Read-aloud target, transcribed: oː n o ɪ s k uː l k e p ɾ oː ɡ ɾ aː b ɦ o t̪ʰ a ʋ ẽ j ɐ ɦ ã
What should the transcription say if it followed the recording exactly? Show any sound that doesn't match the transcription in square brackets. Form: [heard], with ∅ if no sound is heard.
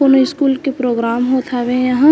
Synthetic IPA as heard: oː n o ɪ s k uː l k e p ɾ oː ɡ ɾ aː [m] ɦ o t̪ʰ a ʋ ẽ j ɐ ɦ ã